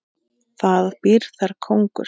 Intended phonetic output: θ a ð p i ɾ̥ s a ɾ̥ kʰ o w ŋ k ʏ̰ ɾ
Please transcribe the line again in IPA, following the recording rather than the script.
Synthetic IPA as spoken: θ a ð p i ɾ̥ θ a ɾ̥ kʰ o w ŋ k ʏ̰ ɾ